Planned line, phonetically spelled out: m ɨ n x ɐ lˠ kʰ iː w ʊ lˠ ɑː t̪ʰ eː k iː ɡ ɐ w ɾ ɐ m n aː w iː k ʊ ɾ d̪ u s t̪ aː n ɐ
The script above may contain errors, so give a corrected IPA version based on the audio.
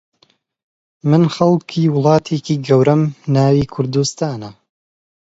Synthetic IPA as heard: m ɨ n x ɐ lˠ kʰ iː w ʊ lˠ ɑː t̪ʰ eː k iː ɡ ɐ w ɾ ɐ m n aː w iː kʰ ʊ ɾ d̪ u s t̪ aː n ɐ